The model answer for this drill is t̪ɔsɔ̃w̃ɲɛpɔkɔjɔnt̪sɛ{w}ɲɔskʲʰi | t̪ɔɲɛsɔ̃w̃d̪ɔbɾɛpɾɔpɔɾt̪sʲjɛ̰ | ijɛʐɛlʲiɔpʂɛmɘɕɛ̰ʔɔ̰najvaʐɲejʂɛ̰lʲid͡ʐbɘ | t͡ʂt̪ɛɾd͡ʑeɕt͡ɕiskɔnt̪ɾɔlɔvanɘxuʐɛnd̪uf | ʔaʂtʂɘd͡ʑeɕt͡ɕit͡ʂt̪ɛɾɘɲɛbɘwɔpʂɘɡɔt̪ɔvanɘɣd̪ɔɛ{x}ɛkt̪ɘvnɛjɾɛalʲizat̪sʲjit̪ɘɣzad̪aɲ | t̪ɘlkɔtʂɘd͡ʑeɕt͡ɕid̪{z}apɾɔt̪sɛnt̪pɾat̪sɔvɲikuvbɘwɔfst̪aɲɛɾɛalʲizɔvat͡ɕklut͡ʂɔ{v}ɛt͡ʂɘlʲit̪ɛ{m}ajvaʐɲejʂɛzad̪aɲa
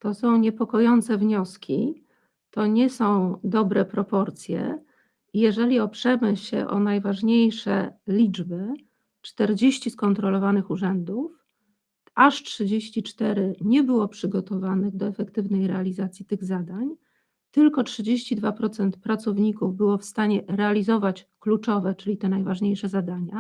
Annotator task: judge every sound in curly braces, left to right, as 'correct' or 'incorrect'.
incorrect: v, incorrect: f, incorrect: v, correct, incorrect: n

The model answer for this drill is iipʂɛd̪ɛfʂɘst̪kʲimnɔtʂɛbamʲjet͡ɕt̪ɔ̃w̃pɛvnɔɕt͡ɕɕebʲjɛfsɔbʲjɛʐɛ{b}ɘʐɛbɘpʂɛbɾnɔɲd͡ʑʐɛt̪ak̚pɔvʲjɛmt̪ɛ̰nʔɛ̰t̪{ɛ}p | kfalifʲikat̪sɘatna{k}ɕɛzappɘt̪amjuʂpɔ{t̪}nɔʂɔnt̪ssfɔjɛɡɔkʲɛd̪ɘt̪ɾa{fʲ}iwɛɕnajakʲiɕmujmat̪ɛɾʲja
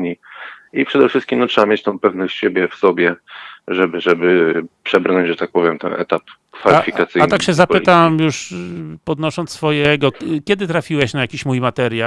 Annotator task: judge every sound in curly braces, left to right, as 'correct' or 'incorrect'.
correct, incorrect: a, correct, incorrect: d̪, correct

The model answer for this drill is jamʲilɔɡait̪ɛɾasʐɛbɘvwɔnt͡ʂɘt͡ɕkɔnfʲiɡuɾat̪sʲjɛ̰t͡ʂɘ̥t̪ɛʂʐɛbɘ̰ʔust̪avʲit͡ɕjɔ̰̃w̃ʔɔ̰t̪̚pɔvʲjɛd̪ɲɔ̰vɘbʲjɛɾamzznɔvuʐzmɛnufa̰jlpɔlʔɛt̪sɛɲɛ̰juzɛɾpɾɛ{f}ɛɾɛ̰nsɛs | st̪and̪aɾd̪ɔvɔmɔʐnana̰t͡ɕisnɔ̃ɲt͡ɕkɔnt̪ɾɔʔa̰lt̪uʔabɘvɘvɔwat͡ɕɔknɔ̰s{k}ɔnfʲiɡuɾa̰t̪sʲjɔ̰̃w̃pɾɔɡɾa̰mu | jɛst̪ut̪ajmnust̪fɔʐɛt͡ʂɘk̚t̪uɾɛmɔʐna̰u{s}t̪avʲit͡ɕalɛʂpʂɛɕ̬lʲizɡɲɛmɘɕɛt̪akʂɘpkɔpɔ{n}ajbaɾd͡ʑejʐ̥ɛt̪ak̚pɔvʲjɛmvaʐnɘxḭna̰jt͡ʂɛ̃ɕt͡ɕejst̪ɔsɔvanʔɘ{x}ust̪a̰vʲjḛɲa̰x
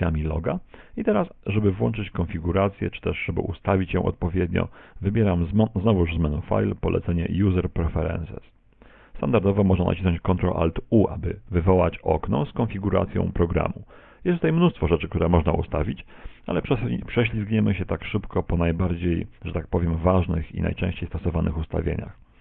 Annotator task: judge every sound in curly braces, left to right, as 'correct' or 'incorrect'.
correct, correct, correct, correct, correct

